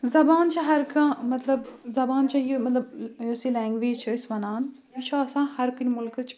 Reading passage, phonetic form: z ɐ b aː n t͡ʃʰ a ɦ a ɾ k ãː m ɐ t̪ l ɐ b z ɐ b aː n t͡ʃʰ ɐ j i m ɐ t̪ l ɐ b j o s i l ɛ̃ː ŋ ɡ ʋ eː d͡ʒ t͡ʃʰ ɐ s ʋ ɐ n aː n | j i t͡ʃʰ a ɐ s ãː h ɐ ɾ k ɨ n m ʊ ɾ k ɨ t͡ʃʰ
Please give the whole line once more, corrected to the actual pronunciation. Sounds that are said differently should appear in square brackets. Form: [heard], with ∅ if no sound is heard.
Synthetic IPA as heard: z ɐ b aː n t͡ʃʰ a ɦ [ɐ] ɾ k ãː m ɐ t̪ l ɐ b z ɐ b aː n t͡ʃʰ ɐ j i m ɐ t̪ l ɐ b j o s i l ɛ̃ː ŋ ɡ ʋ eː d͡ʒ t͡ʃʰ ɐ s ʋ ɐ n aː n | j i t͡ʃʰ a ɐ s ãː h ɐ ɾ k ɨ n m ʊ [l] k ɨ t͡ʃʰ